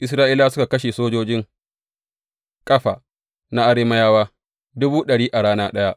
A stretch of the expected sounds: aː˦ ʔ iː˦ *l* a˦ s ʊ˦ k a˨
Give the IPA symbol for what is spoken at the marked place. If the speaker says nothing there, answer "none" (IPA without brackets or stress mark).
l